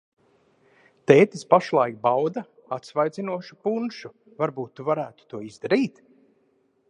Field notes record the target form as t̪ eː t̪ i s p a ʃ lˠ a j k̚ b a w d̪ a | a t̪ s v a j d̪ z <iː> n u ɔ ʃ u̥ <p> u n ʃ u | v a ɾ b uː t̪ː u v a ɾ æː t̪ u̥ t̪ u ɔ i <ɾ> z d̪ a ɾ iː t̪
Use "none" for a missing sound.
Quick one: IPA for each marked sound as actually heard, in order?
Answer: i, p, none

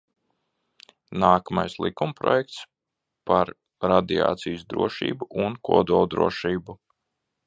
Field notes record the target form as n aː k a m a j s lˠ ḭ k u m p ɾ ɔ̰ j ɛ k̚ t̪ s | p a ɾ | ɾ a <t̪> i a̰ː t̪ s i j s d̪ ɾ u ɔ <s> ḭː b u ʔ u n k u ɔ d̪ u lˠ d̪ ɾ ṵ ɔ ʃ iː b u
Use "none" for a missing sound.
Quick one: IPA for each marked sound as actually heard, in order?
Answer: d̪, ʃ

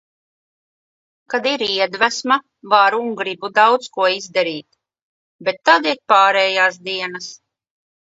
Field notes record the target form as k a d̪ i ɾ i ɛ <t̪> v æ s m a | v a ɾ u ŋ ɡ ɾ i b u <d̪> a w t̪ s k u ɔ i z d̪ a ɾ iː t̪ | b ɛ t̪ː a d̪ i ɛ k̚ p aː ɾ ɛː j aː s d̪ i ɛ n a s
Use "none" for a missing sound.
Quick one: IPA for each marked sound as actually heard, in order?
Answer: d̪, d̪

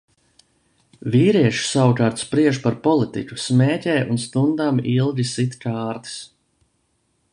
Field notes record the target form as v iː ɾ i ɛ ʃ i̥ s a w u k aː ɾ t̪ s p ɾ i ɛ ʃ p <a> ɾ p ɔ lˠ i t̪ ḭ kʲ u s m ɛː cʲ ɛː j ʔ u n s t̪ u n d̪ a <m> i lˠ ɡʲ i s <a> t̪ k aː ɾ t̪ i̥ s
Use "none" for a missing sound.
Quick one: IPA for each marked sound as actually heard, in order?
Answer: a, m, i

